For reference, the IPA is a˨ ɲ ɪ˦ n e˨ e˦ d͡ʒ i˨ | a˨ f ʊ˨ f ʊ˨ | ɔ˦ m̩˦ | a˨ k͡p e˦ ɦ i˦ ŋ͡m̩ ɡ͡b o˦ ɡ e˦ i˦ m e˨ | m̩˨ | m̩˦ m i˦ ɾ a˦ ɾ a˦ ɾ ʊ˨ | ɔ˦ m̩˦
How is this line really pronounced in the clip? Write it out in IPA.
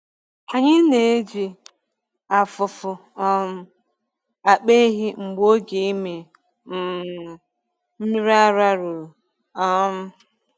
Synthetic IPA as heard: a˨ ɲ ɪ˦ n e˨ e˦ d͡ʒ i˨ | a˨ f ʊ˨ f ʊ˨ | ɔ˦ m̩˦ | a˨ k͡p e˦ ɦ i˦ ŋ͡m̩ ɡ͡b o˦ ɡ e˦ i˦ m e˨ | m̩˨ | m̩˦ m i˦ ɾ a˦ ɾ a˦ ɾ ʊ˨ | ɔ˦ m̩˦